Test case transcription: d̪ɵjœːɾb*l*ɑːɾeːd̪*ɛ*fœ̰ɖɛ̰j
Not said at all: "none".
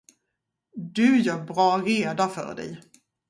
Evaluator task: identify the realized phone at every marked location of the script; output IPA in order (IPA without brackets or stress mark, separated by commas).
ɾ, a